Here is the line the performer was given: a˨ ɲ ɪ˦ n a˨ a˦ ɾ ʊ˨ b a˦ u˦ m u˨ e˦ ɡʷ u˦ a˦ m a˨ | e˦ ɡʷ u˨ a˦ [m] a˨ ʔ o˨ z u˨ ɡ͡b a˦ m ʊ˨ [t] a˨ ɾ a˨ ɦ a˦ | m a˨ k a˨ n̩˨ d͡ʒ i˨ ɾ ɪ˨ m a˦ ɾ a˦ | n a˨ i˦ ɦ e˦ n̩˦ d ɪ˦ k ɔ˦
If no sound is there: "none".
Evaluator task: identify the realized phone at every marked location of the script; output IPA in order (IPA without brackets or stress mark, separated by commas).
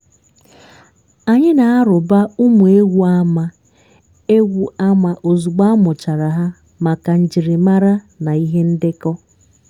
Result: m, t͡ʃ